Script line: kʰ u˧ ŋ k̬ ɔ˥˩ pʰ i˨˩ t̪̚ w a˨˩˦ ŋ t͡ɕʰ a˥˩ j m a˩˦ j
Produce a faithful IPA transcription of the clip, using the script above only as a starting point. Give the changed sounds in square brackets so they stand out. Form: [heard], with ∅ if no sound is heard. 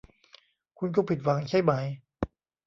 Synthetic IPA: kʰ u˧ [n] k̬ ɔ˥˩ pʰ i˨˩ t̪̚ w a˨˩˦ ŋ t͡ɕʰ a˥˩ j m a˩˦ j